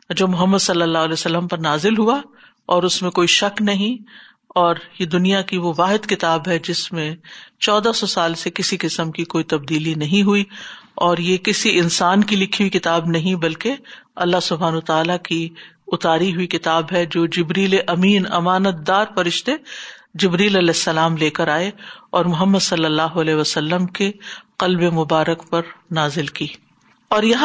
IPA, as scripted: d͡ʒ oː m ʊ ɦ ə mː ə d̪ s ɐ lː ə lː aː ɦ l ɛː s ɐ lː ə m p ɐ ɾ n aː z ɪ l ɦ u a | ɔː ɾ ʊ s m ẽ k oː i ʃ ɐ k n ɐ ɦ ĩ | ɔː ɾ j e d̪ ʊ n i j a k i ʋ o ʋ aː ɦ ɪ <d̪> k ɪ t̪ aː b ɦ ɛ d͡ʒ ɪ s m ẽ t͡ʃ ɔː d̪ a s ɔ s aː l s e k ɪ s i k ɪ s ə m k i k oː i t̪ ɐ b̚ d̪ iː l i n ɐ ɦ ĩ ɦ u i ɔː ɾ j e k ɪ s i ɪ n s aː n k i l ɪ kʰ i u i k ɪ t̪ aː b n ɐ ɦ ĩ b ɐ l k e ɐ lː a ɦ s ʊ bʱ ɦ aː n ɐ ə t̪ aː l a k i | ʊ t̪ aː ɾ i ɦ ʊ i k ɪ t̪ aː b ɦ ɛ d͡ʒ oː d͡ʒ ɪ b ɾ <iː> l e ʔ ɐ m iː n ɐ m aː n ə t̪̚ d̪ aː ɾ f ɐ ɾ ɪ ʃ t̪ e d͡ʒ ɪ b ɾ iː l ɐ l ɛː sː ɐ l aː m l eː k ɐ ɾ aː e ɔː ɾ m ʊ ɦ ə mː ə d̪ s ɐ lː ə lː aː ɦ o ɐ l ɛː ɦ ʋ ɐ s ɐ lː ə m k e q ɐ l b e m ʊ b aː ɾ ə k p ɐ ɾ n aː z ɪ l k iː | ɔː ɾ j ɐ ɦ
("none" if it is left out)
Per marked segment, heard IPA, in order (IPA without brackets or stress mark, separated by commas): d̪, iː